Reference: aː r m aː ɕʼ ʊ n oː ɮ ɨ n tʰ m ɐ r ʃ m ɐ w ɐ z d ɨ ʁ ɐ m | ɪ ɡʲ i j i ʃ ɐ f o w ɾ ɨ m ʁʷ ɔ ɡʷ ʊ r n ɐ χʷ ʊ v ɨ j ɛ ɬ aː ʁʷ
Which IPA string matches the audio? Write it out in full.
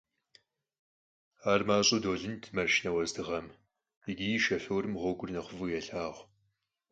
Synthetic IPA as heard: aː r m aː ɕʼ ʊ d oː ɮ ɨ n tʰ m ɐ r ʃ n ɐ w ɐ z d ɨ ʁ ɐ m | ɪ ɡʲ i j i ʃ ɐ f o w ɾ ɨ m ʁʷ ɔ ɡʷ ʊ r n ɐ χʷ ʊ v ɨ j ɛ ɬ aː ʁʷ